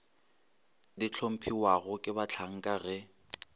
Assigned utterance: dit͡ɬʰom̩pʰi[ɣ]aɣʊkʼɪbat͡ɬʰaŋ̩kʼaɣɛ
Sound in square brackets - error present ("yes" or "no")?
yes